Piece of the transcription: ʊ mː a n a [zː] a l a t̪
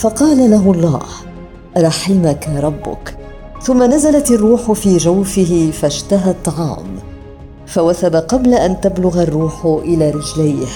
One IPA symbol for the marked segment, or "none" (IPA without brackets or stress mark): z